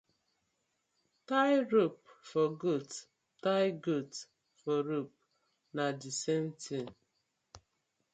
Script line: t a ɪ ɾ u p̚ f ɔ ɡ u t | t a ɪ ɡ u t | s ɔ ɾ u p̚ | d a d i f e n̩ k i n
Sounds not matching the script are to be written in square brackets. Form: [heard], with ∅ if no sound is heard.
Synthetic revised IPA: t a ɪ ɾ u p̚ f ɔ ɡ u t | t a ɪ ɡ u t | [f] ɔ ɾ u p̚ | [n] a d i [s] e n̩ [t] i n